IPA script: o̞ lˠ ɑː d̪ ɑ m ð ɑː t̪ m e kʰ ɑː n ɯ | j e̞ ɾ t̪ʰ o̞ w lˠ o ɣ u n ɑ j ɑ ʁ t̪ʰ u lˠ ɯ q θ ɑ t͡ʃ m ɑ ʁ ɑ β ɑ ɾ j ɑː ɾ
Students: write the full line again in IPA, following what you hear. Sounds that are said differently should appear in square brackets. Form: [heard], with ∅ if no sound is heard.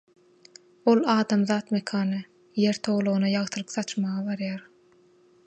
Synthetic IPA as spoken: o̞ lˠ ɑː d̪ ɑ m ð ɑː t̪ m e kʰ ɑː n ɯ | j e̞ ɾ t̪ʰ o̞ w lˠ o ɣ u n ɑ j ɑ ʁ t̪ʰ [ɯ] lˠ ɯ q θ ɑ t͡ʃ m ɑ ʁ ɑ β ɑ ɾ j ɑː ɾ